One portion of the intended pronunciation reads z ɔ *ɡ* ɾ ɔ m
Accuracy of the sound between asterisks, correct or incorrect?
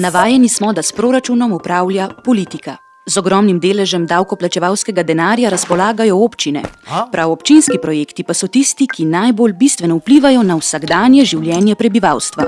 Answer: correct